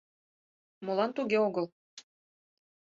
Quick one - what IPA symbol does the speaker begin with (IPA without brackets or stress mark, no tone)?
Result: m